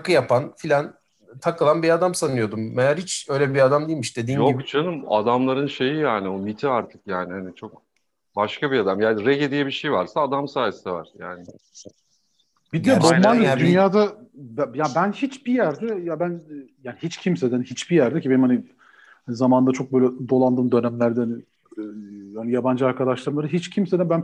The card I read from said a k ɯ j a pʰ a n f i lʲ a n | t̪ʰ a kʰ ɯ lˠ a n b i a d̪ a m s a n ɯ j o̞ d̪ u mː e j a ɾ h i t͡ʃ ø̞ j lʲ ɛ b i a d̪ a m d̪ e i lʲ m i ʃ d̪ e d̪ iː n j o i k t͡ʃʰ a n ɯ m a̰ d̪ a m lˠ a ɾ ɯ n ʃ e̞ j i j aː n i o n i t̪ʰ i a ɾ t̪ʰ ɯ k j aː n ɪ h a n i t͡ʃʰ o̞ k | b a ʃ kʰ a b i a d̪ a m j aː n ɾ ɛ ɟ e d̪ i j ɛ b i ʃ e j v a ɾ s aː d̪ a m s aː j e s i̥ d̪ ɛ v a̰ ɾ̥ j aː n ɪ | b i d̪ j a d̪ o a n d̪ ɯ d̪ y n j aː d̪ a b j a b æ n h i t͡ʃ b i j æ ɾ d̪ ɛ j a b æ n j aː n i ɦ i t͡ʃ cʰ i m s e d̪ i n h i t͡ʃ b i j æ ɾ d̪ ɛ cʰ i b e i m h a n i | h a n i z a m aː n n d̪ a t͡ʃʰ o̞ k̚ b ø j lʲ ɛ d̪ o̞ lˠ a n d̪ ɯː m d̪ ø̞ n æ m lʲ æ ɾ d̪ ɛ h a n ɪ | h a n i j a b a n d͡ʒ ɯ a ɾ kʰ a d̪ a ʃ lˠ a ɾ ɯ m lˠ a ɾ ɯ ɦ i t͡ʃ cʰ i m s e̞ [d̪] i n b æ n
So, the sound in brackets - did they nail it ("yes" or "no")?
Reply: yes